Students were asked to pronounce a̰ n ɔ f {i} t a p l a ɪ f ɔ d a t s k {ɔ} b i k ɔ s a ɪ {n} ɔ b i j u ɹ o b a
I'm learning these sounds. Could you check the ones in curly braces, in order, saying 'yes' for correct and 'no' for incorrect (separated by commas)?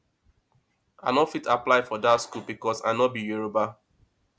yes, no, yes